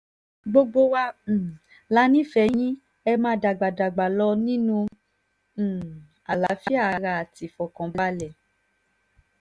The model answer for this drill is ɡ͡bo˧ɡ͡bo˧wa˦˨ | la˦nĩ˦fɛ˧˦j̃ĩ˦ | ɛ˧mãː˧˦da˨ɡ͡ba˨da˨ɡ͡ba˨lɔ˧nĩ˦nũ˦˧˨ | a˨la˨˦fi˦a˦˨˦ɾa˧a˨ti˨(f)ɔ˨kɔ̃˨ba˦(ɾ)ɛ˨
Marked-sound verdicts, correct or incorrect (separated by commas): correct, incorrect